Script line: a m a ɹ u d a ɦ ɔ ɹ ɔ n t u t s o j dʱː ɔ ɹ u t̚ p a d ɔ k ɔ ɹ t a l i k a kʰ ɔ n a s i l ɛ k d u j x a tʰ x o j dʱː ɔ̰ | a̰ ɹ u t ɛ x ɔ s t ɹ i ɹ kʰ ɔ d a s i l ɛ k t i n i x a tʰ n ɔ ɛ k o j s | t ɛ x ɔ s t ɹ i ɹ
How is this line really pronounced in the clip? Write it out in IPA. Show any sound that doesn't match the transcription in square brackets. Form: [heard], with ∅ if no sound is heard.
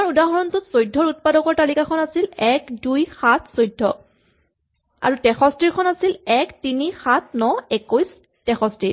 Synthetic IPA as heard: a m a ɹ u d a ɦ ɔ ɹ ɔ n t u t s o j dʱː ɔ ɹ u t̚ p a d ɔ k ɔ ɹ t a l i k a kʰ ɔ n a s i l ɛ k d u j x a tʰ [s] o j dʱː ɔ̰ | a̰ ɹ u t ɛ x ɔ s t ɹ i ɹ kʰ ɔ [n] a s i l ɛ k t i n i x a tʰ n ɔ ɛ k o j s | t ɛ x ɔ s t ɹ i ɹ